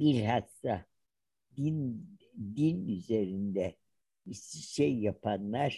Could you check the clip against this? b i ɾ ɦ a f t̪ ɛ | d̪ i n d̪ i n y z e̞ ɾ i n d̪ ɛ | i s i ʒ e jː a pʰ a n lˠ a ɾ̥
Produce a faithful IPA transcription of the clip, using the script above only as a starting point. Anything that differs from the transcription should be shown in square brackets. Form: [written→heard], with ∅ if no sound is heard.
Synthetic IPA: b i ɾ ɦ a [f→s] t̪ [ɛ→a] | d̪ i n d̪ i n y z e̞ ɾ i n d̪ ɛ | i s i [ʒ→ʃ] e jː a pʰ a n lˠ a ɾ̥